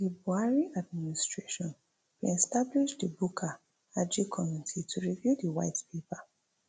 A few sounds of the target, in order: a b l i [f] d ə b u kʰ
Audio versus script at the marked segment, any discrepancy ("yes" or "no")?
yes